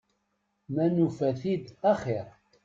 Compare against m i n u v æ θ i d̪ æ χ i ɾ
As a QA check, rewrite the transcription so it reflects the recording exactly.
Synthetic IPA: m æ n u f æ θ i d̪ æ χ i ɾ